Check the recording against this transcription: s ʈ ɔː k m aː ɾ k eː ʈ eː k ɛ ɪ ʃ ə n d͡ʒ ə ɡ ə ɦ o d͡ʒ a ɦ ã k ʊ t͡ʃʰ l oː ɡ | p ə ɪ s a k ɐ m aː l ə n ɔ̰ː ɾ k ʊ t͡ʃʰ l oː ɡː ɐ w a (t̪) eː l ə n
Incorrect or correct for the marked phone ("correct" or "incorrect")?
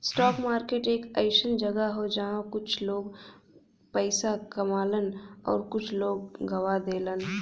incorrect